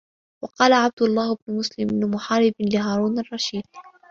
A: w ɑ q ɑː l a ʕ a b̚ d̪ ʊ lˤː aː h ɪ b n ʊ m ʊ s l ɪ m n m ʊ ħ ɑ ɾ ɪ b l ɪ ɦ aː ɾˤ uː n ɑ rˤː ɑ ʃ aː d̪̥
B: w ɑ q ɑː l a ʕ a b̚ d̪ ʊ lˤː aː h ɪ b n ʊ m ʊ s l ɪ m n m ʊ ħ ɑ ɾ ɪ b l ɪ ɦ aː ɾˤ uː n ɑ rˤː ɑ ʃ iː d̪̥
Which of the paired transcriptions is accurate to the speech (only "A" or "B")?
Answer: B